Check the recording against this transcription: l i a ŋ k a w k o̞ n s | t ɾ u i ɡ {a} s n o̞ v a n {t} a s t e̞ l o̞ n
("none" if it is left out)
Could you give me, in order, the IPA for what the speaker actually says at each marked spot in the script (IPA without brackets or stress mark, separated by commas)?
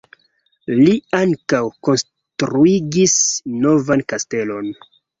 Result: i, k